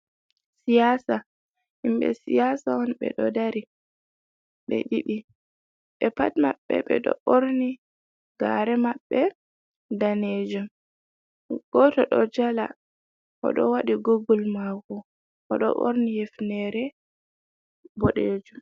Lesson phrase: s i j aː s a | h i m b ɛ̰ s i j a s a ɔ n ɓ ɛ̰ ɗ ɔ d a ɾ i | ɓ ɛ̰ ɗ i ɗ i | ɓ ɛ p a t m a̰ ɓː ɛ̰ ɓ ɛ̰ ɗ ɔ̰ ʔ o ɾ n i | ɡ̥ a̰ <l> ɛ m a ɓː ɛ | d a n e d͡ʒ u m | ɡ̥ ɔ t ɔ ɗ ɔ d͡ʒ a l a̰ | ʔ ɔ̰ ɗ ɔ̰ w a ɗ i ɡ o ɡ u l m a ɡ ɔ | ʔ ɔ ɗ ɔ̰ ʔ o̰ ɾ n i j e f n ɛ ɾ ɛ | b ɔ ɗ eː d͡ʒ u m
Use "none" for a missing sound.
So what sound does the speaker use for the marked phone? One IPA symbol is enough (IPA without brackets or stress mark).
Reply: ɾ